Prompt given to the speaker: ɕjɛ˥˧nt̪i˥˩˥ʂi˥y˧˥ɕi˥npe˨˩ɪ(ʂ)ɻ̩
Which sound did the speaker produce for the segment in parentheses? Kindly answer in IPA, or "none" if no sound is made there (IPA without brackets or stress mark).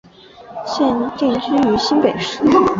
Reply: ʂ